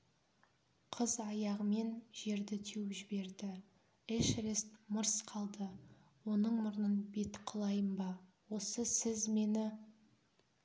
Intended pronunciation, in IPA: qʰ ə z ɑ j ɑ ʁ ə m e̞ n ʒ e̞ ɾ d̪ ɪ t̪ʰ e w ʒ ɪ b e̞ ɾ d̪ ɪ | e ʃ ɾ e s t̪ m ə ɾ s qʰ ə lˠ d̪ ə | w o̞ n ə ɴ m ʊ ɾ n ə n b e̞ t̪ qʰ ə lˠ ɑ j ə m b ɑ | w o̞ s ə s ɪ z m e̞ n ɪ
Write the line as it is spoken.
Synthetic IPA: qʰ ə z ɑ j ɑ ʁ ə m e̞ n ʒ e̞ ɾ d̪ ɪ t̪ʰ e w ʒ ɪ b e̞ ɾ d̪ ɪ | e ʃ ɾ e s t̪ m ə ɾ s qʰ ɑ lˠ d̪ ə | w o̞ n ə ɴ m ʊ ɾ n ə n b e̞ t̪ qʰ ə lˠ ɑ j ə m b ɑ | w o̞ s ə s ɪ z m e̞ n ɪ